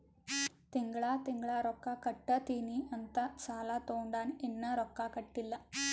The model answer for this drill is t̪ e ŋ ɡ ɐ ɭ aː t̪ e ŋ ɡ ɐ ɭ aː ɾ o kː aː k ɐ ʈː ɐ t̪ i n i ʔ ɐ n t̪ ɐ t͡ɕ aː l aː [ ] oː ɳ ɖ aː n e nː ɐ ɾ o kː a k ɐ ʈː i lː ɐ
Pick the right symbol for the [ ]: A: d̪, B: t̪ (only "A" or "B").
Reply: B